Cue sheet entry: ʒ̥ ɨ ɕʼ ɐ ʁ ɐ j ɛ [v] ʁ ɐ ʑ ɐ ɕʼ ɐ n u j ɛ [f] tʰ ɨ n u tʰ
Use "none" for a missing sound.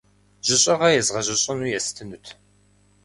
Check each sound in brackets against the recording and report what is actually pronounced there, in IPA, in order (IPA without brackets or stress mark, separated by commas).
z, s